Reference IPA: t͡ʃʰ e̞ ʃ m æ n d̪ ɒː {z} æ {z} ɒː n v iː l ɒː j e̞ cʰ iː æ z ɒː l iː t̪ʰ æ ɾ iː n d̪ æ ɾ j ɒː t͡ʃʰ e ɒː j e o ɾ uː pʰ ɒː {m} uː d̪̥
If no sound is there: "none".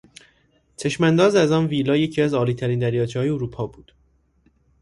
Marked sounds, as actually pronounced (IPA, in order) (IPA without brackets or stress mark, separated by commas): z, z, b